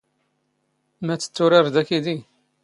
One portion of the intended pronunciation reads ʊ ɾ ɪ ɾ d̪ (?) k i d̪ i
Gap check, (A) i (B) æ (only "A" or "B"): B